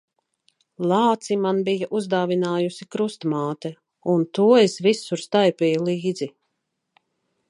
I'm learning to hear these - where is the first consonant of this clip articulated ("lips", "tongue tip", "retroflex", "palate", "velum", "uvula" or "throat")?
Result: tongue tip